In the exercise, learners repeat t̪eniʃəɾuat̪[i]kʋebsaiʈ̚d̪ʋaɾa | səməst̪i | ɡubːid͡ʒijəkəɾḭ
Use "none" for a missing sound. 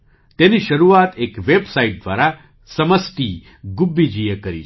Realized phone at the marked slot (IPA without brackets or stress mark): e